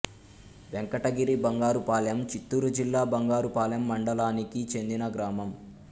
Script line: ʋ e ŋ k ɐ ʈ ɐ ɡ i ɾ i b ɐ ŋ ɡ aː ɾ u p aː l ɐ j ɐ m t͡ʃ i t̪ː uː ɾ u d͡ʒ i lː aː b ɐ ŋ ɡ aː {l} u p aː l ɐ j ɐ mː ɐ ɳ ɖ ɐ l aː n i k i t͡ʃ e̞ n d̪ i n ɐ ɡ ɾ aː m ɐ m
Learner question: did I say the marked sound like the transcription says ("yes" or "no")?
no